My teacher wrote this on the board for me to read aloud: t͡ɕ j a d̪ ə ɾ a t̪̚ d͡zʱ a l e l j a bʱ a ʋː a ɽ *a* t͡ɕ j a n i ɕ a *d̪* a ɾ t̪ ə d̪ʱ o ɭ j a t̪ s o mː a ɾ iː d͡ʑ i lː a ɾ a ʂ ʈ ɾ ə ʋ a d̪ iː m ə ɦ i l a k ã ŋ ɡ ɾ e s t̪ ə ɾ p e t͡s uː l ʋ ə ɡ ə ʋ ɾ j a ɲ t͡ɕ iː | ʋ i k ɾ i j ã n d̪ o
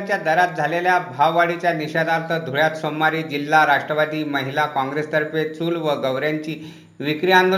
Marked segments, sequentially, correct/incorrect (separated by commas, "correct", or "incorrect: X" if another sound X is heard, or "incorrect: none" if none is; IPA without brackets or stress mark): incorrect: i, correct